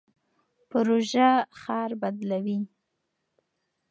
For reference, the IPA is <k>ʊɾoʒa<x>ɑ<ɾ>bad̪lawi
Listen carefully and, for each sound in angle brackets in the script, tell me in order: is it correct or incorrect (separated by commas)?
incorrect, correct, correct